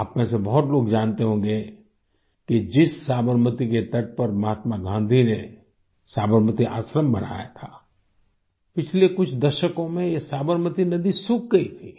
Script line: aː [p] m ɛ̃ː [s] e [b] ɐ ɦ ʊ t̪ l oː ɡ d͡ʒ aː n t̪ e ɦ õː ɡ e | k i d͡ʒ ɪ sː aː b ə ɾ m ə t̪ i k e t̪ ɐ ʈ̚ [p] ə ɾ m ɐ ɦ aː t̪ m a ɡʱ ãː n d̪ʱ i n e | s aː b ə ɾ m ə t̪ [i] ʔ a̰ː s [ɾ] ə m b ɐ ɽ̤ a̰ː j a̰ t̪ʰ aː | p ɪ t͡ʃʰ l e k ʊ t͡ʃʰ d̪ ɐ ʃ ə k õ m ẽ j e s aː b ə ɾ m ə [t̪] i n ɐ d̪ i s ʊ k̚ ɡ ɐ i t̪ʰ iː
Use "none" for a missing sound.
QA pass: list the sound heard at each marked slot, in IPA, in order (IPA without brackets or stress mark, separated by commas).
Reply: p, s, b, p, i, ɾ, t̪